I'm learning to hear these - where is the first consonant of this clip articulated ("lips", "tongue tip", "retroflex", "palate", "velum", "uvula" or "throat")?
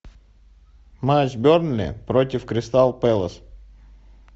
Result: lips